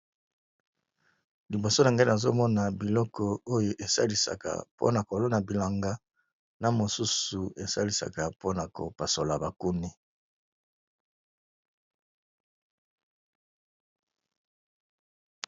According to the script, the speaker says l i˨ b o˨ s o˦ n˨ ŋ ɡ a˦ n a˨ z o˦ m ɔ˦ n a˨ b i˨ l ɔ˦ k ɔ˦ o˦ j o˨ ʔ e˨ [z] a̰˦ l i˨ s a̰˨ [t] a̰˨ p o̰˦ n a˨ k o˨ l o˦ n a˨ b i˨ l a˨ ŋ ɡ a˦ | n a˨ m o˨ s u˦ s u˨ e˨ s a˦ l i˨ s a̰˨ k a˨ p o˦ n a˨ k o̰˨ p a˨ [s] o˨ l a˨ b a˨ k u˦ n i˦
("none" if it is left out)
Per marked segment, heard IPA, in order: s, k, s

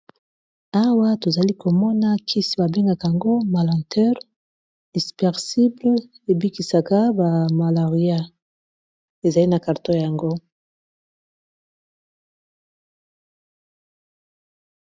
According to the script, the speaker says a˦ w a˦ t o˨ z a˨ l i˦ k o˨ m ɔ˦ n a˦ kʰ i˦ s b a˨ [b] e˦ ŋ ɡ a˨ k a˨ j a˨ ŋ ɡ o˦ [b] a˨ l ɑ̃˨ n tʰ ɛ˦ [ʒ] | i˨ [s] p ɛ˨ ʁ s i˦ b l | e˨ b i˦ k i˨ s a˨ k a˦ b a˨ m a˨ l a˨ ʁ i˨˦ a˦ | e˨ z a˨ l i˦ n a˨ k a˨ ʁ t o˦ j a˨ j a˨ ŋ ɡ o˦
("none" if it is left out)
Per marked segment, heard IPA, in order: b, m, ʁ, s

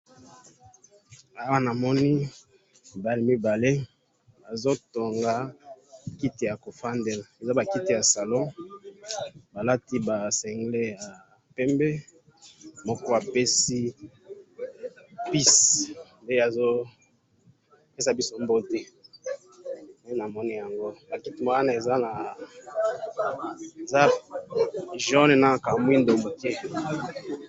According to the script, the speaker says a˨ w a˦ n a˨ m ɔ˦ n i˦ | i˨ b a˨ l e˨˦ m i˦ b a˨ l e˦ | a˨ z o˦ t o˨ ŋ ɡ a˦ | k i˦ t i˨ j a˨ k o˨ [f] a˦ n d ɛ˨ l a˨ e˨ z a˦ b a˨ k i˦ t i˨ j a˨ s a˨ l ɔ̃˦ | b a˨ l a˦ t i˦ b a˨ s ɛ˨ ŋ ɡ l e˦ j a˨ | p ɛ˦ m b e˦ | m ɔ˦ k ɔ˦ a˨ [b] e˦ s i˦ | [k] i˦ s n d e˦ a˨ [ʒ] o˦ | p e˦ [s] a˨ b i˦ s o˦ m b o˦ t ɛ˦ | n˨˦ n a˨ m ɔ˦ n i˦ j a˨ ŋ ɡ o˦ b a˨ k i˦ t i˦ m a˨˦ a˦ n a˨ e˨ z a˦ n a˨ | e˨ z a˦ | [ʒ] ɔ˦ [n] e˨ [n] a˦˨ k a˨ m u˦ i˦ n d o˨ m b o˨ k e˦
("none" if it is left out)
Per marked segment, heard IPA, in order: f, p, p, z, s, ʒ, n, n

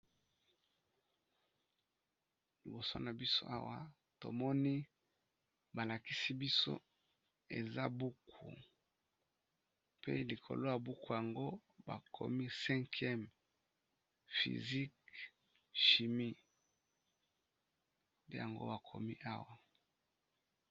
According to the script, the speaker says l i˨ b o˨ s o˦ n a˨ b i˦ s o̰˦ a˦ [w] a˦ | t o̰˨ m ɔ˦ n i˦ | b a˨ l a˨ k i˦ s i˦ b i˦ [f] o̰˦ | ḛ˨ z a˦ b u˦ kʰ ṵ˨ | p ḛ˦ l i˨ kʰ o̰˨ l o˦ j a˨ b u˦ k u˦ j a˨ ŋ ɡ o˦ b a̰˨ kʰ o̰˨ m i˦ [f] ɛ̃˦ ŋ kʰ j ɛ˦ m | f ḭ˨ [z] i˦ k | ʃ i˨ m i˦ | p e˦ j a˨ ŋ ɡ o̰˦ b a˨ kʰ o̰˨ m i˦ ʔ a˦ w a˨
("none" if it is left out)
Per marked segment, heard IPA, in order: w, s, s, z

